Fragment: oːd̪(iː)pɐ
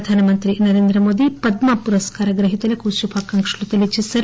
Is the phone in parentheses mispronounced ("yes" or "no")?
yes